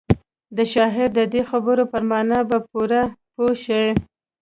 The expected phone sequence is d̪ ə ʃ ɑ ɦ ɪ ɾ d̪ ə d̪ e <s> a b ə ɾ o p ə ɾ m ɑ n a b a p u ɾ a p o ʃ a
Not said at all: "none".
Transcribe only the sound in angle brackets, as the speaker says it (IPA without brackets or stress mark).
x